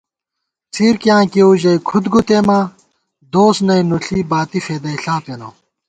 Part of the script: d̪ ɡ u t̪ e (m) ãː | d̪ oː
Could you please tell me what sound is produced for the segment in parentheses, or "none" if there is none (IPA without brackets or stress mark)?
m